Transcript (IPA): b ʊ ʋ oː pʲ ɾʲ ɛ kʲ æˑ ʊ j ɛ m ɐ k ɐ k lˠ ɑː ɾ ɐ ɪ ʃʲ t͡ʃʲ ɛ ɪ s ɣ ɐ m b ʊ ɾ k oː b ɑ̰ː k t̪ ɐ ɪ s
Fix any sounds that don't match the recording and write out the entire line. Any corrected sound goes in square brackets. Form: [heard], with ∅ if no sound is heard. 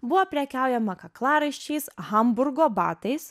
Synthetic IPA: b ʊ ʋ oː pʲ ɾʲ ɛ kʲ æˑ ʊ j ɛ m ɐ k ɐ k lˠ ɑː ɾ ɐ ɪ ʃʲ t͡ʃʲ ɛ ɪ s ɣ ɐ m b ʊ ɾ [ɡ] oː b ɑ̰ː [∅] t̪ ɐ ɪ s